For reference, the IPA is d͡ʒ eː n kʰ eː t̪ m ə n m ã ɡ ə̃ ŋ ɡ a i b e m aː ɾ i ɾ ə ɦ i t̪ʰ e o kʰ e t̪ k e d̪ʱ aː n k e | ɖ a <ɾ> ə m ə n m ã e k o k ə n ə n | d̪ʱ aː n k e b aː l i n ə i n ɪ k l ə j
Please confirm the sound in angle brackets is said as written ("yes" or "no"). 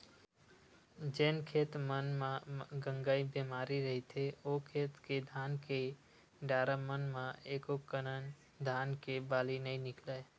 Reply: yes